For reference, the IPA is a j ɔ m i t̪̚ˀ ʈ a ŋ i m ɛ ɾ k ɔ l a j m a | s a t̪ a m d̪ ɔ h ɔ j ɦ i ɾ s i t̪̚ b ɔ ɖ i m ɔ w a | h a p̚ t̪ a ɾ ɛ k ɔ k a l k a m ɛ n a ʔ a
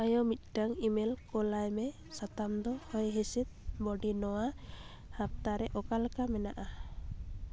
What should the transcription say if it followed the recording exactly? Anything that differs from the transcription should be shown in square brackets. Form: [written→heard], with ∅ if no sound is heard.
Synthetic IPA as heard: a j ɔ m i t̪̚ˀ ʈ a ŋ i m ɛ [ɾ→l] k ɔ l a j m [a→ɛ] | s a t̪ a m d̪ ɔ h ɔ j ɦ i [ɾ→∅] s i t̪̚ b ɔ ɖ i [m→n] ɔ w a | h a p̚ t̪ a ɾ ɛ [k→ʔ] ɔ k a l k a m ɛ n a ʔ a

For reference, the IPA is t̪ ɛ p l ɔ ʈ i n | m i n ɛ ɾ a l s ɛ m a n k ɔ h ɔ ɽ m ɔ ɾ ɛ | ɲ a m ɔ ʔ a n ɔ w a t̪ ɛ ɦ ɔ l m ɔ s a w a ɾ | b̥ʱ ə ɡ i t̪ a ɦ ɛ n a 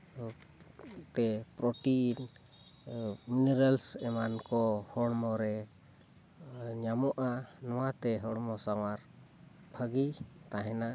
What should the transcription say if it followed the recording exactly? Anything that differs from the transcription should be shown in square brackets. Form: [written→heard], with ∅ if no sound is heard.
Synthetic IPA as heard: t̪ ɛ p [l→ɾ] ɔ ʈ i n | m i n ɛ ɾ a l s ɛ m a n k ɔ h ɔ ɽ m ɔ ɾ ɛ | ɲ a m ɔ ʔ a n ɔ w a t̪ ɛ ɦ ɔ [l→ɽ] m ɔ s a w a ɾ | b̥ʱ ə ɡ i t̪ a ɦ ɛ n a

